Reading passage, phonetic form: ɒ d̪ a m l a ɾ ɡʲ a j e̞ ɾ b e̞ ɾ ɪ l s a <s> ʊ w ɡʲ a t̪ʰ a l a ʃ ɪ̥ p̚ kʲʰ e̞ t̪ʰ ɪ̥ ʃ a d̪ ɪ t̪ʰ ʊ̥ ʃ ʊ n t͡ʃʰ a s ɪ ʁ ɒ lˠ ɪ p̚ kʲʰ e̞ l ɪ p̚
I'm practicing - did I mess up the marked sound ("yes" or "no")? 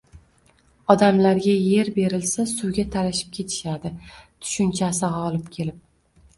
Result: no